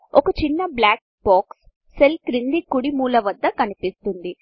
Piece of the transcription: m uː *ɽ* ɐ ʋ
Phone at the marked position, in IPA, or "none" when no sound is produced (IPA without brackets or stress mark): l